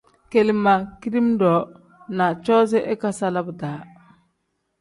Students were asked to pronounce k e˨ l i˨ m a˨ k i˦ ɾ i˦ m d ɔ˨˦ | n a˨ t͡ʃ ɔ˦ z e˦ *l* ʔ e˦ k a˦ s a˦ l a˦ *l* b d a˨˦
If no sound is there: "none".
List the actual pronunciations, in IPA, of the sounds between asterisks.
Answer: none, none

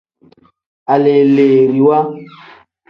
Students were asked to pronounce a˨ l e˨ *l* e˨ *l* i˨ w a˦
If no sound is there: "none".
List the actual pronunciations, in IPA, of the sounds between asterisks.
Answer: l, ɾ

